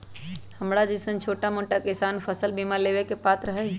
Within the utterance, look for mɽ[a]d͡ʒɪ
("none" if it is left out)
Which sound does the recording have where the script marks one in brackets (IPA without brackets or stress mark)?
a